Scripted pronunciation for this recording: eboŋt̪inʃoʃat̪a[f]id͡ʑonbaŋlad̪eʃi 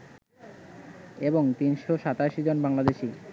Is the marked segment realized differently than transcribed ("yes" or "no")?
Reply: yes